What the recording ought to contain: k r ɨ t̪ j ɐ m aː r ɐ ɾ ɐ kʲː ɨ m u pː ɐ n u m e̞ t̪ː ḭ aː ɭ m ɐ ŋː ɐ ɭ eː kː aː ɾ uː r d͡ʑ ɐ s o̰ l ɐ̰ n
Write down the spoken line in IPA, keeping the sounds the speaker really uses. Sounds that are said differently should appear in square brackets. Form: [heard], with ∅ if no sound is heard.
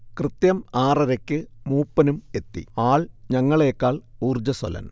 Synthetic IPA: k r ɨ t̪ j ɐ m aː r ɐ ɾ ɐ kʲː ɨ m [uː] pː ɐ n u m e̞ t̪ː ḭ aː ɭ [ɲ] ɐ ŋː ɐ ɭ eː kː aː [ɭ] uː r d͡ʑ ɐ s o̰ l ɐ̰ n